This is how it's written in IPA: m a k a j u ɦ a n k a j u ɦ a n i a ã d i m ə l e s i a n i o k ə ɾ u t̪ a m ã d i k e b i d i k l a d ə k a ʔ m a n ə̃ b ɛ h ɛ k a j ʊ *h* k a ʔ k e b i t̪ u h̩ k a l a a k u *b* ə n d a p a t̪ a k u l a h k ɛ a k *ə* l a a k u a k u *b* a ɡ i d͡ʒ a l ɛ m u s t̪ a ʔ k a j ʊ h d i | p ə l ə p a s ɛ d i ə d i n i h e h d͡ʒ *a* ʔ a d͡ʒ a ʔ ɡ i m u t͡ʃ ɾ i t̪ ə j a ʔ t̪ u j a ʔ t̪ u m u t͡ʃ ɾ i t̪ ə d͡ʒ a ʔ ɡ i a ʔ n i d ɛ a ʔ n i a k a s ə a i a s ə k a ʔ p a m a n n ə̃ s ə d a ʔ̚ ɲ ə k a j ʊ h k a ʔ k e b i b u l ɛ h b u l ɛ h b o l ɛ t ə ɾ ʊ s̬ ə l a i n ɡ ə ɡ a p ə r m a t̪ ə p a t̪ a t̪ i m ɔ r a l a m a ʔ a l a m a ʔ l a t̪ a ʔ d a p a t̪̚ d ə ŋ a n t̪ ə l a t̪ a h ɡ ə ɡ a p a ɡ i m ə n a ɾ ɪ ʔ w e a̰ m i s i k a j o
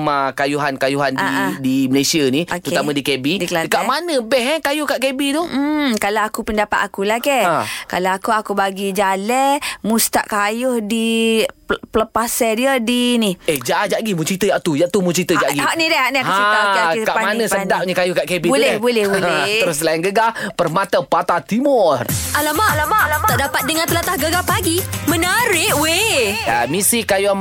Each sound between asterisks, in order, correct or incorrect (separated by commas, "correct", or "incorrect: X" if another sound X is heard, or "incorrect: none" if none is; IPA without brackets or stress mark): correct, incorrect: p, incorrect: a, correct, correct